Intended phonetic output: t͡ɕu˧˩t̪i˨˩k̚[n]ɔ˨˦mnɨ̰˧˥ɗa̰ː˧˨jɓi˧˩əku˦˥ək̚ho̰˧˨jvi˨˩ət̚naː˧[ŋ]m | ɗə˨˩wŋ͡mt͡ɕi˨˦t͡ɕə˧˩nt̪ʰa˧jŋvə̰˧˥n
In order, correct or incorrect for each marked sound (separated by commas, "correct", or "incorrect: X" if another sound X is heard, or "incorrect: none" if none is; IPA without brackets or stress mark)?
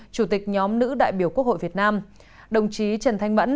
incorrect: ɲ, incorrect: none